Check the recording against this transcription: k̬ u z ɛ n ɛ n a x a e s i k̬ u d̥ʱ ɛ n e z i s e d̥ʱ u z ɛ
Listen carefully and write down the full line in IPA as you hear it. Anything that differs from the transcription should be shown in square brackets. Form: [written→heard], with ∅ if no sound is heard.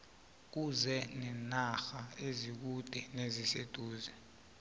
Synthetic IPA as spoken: k̬ u z ɛ n ɛ n a x a e [s→z] i k̬ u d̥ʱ ɛ n e z i s e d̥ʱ [u→uː] z ɛ